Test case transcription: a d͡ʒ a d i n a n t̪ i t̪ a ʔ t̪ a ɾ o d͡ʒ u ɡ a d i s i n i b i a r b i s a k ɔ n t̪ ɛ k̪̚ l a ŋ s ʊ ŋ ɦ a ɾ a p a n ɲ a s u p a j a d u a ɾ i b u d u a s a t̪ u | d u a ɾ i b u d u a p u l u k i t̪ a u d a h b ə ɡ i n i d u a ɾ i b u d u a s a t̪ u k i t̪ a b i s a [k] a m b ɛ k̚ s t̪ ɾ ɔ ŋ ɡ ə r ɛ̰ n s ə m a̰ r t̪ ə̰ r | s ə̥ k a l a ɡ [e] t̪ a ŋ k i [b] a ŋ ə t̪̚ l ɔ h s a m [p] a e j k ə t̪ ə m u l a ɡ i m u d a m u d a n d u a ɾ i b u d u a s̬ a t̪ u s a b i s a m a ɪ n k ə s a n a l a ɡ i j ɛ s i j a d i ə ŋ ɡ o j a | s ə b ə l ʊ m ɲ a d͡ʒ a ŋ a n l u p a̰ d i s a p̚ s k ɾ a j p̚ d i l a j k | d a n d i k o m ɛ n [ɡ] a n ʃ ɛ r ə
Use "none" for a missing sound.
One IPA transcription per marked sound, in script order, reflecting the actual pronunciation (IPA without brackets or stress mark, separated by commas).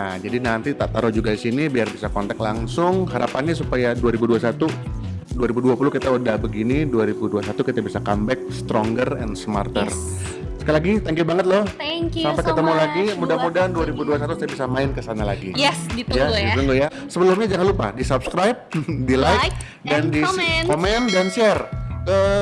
k, i, b, p, d